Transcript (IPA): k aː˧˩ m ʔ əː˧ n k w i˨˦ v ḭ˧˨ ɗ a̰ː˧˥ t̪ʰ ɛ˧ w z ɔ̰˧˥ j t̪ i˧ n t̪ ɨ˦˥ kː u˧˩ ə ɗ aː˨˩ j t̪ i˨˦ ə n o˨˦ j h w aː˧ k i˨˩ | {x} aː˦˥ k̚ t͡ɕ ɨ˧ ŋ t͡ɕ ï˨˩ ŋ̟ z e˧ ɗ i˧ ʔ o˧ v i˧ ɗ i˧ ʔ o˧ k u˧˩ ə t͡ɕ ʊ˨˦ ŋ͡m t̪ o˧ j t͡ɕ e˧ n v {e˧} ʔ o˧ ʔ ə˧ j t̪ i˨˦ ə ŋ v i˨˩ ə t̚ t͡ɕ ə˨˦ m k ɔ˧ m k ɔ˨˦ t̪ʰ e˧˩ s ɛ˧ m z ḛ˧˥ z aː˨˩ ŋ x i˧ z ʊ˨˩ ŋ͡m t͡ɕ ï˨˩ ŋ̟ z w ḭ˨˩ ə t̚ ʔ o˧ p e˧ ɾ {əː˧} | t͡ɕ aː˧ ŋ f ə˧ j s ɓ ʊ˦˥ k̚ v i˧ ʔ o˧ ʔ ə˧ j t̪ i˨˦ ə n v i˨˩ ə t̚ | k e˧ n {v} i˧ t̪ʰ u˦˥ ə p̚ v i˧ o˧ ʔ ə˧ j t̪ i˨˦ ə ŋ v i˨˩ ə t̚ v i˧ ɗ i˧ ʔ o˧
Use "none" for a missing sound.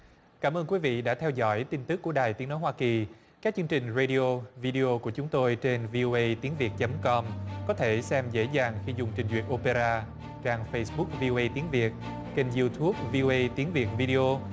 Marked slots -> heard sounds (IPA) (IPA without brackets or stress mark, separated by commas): k, i˧, aː˧, z